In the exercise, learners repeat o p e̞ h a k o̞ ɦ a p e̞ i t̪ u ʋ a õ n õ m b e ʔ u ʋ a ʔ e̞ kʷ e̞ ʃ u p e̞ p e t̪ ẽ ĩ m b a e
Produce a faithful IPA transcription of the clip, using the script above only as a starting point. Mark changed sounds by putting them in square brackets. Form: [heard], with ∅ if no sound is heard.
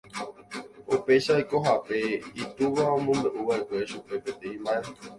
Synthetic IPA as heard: o p e̞ [ʃ] a k o̞ ɦ a p e̞ i t̪ u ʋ a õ [m] õ m b e ʔ u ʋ a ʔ e̞ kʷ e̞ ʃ u p e̞ p e t̪ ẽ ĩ m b a e